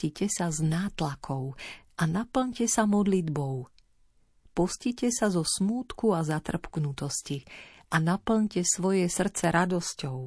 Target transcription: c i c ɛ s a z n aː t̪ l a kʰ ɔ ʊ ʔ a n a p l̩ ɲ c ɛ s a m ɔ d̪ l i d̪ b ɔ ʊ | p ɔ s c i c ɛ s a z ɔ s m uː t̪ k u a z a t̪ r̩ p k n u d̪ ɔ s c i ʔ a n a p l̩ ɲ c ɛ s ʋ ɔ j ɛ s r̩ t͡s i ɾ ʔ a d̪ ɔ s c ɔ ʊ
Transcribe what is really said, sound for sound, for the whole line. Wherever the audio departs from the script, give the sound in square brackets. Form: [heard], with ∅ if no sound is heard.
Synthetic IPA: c i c ɛ s a z n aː t̪ l a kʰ ɔ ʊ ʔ a n a p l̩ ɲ c ɛ s a m ɔ d̪ l i d̪ b ɔ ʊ | p ɔ s c i c ɛ s a z ɔ s m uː t̪ k u a z a t̪ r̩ p k n u [t̪] ɔ s c i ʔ a n a p l̩ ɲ c ɛ s ʋ ɔ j ɛ s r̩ t͡s [ɛ] ɾ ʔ a d̪ ɔ s c ɔ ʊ